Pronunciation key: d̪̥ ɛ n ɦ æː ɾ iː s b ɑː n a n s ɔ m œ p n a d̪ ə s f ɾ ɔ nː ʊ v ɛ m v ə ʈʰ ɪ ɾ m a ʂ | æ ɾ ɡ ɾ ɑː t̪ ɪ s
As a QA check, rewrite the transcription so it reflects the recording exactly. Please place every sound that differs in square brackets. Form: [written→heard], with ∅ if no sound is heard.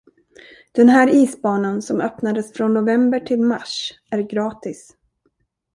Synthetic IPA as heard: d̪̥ ɛ n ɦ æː ɾ iː s b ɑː n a n s ɔ m œ p n a d̪ ə s f ɾ ɔ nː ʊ v ɛ m [v→b] ə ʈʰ ɪ [ɾ→l] m a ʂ | æ ɾ ɡ ɾ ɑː t̪ ɪ s